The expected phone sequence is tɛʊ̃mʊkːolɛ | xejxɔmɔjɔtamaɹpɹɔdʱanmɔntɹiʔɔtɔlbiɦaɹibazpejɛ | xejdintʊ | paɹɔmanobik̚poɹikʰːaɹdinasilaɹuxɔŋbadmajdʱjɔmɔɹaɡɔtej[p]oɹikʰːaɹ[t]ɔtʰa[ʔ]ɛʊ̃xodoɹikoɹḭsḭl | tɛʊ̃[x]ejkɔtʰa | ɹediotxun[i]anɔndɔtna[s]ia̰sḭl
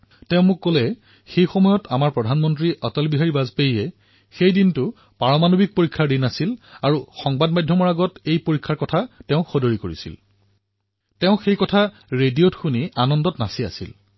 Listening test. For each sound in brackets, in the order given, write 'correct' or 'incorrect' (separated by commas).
correct, incorrect, incorrect, correct, correct, correct